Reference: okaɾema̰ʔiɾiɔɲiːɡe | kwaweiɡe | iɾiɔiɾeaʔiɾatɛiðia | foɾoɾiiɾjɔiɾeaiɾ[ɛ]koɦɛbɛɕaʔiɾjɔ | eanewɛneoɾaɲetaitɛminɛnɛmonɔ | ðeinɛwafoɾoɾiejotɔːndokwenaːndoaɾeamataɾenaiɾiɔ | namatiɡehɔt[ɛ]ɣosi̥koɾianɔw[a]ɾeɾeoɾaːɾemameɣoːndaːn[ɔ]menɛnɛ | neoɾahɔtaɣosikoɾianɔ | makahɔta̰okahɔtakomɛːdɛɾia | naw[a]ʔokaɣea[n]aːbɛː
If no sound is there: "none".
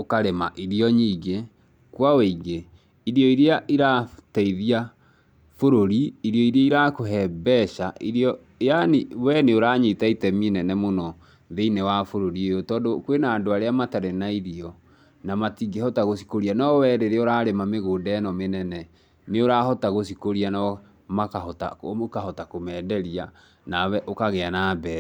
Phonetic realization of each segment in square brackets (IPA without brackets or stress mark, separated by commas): a, a, ɛ, ɔ, ɛ, n